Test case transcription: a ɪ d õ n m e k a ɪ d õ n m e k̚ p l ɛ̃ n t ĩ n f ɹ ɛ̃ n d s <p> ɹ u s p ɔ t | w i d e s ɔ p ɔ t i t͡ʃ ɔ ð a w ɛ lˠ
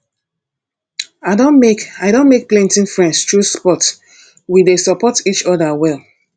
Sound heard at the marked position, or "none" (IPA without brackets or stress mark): t